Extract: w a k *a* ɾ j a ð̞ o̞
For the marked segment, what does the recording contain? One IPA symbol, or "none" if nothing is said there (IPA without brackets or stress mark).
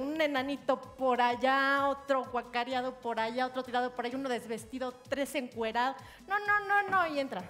a